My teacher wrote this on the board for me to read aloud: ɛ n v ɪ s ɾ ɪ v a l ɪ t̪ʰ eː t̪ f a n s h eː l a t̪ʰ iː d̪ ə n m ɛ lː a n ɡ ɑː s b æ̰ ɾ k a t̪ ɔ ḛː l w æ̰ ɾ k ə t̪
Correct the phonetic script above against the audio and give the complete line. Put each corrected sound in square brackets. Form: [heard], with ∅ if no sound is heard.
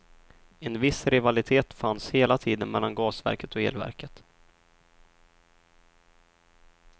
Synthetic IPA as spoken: ɛ n v ɪ s ɾ ɪ v a l ɪ t̪ʰ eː t̪ f a n s h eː l a t̪ʰ iː d̪ ə n m ɛ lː a n ɡ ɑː s [v] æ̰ ɾ k [ə] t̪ ɔ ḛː l [v] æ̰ ɾ k ə t̪

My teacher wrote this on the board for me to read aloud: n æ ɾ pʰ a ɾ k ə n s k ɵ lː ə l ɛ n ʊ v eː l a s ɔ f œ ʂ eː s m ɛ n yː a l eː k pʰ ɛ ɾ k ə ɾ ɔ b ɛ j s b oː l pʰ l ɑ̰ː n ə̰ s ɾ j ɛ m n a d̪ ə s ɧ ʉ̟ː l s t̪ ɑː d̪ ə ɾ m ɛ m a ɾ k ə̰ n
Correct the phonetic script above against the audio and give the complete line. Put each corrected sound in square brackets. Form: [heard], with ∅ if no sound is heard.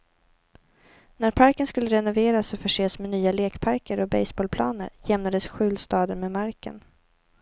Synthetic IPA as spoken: n æ ɾ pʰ a ɾ k ə n s k ɵ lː ə [ɾ] ɛ n ʊ v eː [ɾ] a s ɔ f œ ʂ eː s m ɛ n yː a l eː k pʰ [a] ɾ k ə ɾ ɔ b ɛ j s b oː l pʰ l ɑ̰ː n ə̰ [∅] ɾ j ɛ m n a d̪ ə s ɧ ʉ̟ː l s t̪ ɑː d̪ ə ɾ m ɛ m a ɾ k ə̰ n

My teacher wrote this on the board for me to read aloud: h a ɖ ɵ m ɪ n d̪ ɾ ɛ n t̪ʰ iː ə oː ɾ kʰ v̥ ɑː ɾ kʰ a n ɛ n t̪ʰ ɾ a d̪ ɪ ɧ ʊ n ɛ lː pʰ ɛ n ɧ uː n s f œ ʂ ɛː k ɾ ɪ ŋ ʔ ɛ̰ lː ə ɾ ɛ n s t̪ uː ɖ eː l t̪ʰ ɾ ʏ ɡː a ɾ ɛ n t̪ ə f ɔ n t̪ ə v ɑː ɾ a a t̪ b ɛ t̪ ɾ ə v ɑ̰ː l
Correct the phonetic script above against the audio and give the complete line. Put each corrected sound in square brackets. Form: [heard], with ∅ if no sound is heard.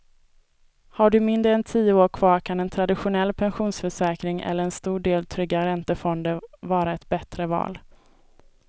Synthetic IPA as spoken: h a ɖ ɵ m ɪ n d̪ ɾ ɛ n t̪ʰ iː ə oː ɾ kʰ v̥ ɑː ɾ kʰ a n ɛ n t̪ʰ ɾ a d̪ ɪ ɧ ʊ n ɛ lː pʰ ɛ n ɧ uː n s f œ ʂ ɛː k ɾ ɪ ŋ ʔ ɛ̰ lː ə ɾ ɛ n s t̪ uː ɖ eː l t̪ʰ ɾ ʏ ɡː a ɾ ɛ n t̪ ə f ɔ n [d̪] ə v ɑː ɾ a [ɛ] t̪ b ɛ t̪ ɾ ə v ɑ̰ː l

